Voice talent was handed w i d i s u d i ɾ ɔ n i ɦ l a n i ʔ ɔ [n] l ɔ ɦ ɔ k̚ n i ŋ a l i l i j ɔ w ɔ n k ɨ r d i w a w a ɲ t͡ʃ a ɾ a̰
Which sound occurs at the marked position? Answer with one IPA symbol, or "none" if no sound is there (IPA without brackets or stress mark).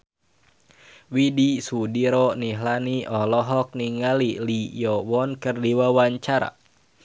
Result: none